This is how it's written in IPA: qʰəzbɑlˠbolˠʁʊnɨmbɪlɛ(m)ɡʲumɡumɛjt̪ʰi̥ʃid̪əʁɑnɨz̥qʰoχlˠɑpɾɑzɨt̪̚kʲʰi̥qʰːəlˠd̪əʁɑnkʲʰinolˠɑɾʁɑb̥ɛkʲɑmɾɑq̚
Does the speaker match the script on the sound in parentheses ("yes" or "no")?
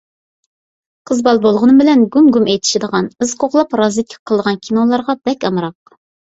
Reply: no